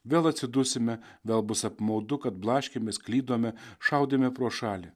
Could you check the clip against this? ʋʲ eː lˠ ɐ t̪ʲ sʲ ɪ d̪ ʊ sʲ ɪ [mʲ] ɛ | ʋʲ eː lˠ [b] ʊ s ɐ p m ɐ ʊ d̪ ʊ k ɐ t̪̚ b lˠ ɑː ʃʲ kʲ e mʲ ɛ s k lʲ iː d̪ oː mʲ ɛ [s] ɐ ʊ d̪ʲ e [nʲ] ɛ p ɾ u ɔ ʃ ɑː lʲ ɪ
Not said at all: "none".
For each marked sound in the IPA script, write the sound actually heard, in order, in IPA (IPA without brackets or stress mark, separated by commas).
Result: mʲ, b, ʃ, mʲ